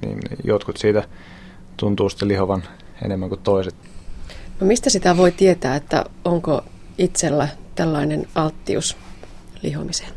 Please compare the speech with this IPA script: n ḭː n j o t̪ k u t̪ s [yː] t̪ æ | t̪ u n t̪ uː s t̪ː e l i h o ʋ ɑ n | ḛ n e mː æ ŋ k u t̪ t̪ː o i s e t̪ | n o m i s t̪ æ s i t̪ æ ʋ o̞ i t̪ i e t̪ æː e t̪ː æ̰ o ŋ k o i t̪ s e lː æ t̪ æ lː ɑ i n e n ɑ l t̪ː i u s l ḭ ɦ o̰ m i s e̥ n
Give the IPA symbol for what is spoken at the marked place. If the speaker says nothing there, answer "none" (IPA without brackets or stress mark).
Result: iː